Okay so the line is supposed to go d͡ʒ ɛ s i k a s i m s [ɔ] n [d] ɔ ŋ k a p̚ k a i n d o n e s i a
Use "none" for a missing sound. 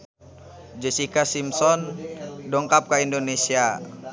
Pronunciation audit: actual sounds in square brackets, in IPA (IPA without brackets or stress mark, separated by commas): ɔ, d